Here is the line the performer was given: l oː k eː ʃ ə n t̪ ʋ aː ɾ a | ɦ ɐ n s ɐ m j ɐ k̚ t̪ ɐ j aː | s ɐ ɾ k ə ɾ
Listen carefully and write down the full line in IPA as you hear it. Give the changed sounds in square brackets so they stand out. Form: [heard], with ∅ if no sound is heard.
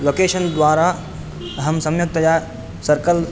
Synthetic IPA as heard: l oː k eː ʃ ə n [d̪] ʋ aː ɾ a | ɦ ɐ [m] s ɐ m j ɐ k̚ t̪ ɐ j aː | s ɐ ɾ k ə [l]